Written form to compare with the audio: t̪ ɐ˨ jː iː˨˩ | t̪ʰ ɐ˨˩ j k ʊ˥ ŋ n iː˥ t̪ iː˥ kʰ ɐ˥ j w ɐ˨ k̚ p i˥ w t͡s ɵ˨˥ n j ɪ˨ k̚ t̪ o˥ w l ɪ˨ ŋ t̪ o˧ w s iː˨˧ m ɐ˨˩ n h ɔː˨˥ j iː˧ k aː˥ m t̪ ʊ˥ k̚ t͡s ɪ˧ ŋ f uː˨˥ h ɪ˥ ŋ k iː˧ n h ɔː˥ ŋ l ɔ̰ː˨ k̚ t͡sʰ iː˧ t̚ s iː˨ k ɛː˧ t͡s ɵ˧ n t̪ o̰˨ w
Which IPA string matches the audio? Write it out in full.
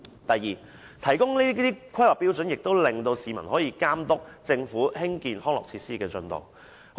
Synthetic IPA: t̪ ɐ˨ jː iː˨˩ | t̪ʰ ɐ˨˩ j k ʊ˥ ŋ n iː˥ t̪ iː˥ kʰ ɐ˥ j w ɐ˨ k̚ p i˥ w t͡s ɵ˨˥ n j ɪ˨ k̚ t̪ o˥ w l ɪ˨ ŋ t̪ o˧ w s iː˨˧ m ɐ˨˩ n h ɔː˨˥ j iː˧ k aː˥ m t̪ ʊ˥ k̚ t͡s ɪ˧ ŋ f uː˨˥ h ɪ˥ ŋ k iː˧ n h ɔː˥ ŋ l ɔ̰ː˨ k̚ t͡sʰ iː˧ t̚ s iː˥ k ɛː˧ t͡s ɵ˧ n t̪ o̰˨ w

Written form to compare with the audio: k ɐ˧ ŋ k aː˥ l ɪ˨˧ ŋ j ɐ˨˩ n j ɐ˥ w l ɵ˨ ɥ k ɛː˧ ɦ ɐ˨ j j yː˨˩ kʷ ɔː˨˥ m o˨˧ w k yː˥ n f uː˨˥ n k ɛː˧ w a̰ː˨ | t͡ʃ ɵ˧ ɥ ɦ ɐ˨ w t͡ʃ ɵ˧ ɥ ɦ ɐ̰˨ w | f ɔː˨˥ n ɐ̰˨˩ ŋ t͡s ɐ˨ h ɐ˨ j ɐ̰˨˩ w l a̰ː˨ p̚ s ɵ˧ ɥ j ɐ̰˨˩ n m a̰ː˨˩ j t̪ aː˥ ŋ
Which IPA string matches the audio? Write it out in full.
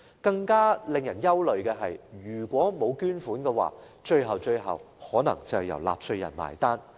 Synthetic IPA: k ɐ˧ ŋ k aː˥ l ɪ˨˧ ŋ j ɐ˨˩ n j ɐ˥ w l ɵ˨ ɥ k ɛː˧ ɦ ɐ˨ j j yː˨˩ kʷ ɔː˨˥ m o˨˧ w k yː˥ n f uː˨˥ n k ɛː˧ w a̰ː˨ | t͡ʃ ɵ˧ ɥ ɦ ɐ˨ w t͡ʃ ɵ˧ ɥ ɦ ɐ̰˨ w | h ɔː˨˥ n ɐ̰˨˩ ŋ t͡s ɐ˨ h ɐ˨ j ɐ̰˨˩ w l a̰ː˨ p̚ s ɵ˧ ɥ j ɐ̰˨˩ n m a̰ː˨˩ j t̪ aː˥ n

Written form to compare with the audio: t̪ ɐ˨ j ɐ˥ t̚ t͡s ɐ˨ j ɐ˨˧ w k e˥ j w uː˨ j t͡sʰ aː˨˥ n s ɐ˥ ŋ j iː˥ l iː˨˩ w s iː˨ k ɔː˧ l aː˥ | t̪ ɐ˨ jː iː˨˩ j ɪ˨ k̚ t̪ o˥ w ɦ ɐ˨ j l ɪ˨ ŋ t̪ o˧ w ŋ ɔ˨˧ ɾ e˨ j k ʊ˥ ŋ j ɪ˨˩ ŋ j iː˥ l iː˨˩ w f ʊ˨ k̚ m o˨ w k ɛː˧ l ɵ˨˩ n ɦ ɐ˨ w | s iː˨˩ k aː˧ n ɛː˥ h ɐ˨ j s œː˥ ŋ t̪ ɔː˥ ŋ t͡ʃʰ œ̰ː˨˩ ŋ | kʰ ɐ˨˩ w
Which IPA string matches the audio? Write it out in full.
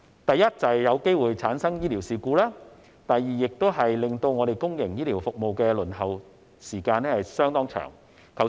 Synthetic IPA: t̪ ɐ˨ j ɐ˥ t̚ t͡s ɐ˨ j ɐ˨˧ w k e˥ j w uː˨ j t͡sʰ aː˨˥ n s ɐ˥ ŋ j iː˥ l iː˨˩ w s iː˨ k uː˧ l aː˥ | t̪ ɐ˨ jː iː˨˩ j ɪ˨ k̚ t̪ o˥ w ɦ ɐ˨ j l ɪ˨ ŋ t̪ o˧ w ŋ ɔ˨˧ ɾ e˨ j k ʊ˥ ŋ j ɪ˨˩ ŋ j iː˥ l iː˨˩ w f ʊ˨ k̚ m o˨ w k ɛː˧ l ɵ˨˩ n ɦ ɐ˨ w | s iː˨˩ k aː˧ n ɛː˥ h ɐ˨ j s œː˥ ŋ t̪ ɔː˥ ŋ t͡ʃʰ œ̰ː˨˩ ŋ | kʰ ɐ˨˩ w

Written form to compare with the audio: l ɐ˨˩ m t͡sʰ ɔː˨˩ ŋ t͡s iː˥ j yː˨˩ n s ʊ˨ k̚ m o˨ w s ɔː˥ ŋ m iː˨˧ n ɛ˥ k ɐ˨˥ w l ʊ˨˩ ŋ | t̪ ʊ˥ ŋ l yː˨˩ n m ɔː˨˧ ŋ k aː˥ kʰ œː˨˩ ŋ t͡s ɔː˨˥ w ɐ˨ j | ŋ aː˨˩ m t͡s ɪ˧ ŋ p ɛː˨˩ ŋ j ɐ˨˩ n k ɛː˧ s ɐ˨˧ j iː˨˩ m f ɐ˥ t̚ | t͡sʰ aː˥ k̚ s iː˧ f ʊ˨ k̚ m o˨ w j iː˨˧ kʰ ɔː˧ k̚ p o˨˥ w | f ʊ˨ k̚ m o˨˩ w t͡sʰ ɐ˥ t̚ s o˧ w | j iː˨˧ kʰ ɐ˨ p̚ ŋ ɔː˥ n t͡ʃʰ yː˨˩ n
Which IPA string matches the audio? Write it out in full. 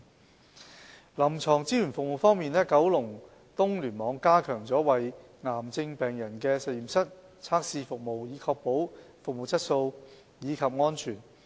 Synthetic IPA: l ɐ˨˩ m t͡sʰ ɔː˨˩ ŋ t͡s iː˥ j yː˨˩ n f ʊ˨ k̚ m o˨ w f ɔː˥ ŋ m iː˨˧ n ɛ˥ k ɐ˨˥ w l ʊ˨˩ ŋ | t̪ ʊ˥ ŋ l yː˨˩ n m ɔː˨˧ ŋ k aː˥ kʰ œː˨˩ ŋ t͡s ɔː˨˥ w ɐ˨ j | ŋ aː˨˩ m t͡s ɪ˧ ŋ p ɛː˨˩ ŋ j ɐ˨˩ n k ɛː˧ s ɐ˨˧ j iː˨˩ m s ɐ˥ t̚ | t͡sʰ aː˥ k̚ s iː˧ f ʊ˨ k̚ m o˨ w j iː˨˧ kʰ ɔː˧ k̚ p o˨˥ w | f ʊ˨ k̚ m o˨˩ w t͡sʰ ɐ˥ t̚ s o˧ w | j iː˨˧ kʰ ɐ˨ p̚ ŋ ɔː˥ n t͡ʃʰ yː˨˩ n

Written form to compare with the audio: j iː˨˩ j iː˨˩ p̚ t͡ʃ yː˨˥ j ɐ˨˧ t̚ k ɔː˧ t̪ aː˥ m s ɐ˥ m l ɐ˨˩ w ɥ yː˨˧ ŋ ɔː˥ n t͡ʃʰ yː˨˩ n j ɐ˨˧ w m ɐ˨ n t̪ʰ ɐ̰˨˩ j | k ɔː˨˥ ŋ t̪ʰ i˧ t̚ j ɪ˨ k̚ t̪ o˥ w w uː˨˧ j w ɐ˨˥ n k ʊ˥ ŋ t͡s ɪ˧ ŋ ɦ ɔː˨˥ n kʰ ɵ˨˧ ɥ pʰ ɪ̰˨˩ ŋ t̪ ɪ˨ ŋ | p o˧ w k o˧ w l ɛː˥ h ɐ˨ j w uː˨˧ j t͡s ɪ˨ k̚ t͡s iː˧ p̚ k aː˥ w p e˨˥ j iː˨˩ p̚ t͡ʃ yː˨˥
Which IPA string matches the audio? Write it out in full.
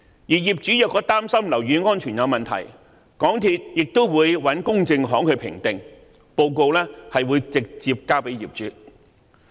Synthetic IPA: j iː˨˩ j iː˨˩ p̚ t͡ʃ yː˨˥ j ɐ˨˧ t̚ k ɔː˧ t̪ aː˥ m s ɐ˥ m l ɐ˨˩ w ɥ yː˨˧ ŋ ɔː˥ n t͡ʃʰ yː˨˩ n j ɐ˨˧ w m ɐ˨ n t̪ʰ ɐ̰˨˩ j | k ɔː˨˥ ŋ t̪ʰ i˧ t̚ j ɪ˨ k̚ t̪ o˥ w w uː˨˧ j w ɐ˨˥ n k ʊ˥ ŋ t͡s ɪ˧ ŋ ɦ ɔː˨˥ ŋ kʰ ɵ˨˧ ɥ pʰ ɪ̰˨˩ ŋ t̪ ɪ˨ ŋ | p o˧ w k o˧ w l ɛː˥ h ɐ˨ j w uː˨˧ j t͡s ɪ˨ k̚ t͡s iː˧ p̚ k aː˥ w p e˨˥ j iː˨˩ p̚ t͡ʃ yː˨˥

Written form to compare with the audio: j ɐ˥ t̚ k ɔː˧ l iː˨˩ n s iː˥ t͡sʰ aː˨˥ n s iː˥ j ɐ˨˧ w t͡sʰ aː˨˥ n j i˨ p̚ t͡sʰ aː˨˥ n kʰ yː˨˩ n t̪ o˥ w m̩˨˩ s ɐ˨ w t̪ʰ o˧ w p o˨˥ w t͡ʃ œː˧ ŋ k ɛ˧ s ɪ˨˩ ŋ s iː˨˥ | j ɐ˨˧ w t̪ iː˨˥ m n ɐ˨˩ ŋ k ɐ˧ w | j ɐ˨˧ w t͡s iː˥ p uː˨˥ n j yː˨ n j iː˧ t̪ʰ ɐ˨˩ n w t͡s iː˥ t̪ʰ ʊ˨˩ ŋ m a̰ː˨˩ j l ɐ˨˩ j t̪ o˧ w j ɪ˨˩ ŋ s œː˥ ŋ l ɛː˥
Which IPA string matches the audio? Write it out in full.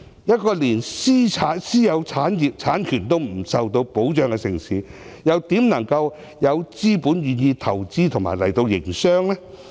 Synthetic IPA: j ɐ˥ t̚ k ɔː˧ l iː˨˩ n s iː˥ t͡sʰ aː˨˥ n s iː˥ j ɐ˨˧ w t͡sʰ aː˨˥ n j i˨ p̚ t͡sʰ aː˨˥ n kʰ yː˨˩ n t̪ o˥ w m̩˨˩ s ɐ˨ w t̪ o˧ w p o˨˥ w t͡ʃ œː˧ ŋ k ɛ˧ s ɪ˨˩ ŋ s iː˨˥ | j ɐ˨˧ w t̪ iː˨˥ m n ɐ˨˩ ŋ k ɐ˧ w | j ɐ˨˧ w t͡s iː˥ p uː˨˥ n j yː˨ n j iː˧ t̪ʰ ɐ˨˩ w t͡s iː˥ t̪ʰ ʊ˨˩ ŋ m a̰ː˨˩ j l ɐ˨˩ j t̪ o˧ w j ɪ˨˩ ŋ s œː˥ ŋ l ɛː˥

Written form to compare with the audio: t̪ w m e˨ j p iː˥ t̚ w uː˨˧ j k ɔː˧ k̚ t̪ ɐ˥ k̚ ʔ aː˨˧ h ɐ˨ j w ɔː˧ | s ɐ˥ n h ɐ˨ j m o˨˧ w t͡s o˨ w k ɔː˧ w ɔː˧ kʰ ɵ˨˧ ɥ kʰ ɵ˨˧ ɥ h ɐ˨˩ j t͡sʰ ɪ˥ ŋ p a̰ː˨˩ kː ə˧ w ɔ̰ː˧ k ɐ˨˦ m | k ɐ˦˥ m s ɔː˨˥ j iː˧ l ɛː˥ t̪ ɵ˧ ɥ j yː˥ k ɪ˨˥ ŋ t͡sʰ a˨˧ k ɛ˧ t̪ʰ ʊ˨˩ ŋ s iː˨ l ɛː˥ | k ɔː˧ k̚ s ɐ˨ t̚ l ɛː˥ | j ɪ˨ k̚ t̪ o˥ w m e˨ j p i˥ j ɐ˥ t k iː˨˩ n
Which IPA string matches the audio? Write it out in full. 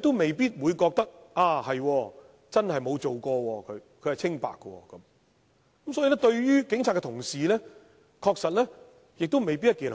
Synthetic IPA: t̪ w m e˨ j p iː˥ t̚ w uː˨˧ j k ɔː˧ k̚ t̪ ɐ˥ k̚ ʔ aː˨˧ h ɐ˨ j w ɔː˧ | t͡s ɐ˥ n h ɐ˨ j m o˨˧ w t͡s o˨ w k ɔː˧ w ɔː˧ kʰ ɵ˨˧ ɥ kʰ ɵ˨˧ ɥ h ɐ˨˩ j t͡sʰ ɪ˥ ŋ p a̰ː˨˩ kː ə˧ w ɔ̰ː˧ k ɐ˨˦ m | k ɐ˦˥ m s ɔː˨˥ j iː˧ l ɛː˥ t̪ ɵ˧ ɥ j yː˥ k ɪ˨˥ ŋ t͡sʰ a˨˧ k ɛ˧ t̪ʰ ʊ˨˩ ŋ s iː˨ l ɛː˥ | kʰ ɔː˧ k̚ s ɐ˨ t̚ l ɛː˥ | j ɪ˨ k̚ t̪ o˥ w m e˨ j p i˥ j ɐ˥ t k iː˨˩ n

